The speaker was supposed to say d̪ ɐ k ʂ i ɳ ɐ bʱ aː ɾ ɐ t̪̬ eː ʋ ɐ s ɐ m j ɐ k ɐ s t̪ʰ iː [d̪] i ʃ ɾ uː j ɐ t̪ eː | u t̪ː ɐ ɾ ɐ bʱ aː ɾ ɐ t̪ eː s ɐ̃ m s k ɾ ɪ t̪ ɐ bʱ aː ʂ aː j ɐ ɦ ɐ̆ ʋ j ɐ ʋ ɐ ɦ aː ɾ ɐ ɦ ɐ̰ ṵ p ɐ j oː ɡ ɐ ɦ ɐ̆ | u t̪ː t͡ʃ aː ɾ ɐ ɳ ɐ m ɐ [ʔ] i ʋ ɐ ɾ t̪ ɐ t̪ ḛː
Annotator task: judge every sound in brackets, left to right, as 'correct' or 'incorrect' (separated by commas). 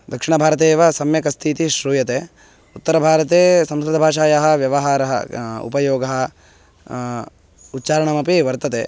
incorrect, incorrect